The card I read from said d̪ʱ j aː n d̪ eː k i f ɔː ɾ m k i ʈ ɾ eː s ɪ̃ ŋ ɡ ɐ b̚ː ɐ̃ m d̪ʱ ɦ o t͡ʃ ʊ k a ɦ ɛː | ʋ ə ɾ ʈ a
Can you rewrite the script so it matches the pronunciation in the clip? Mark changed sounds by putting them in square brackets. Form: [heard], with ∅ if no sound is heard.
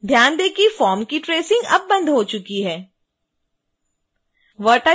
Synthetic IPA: d̪ʱ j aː n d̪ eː k i f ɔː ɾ m k i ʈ ɾ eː s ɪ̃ ŋ ɡ ɐ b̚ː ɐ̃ [n] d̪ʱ ɦ o t͡ʃ ʊ k [i] ɦ ɛː | ʋ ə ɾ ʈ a